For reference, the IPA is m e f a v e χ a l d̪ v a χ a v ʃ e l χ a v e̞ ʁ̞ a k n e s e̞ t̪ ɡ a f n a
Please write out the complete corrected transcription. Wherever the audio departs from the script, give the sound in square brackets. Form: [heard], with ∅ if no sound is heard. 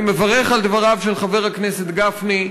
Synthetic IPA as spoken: m e [v] a [ʁ] e χ a l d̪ v a [ʁ] a v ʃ e l χ a v e̞ ʁ̞ a k n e s e̞ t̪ ɡ a f n [i]